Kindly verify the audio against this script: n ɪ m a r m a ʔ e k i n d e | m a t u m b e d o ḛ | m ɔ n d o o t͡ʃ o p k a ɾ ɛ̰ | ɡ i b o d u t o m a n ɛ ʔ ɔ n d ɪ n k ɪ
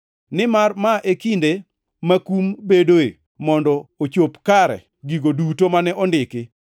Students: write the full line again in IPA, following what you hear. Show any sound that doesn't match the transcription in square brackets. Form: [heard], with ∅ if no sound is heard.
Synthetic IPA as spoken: n ɪ m a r m a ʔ e k i n d e | m a [k] u m b e d o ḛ | m ɔ n d [ɔ] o t͡ʃ o p k a ɾ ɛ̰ | ɡ i [ɡ] o d u t o m a n ɛ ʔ ɔ n d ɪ [∅] k ɪ